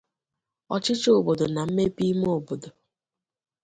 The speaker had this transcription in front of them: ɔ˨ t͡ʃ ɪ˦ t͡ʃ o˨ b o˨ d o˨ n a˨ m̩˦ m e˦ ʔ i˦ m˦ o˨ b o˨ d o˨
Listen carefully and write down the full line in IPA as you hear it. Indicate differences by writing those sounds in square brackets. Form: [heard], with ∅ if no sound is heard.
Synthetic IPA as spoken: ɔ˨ t͡ʃ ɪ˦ t͡ʃ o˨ b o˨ d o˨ n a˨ m̩˦ m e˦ [p] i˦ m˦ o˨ b o˨ d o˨